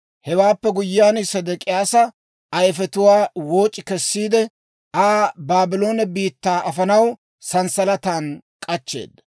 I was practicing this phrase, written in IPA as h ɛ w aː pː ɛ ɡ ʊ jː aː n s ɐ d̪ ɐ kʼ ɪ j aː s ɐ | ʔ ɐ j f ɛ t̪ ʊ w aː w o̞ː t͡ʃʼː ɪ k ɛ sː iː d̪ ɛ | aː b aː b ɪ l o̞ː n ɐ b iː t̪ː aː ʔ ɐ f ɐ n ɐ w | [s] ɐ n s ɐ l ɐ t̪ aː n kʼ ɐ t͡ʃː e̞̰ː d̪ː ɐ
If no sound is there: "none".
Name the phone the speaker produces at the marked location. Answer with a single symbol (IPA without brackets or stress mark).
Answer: s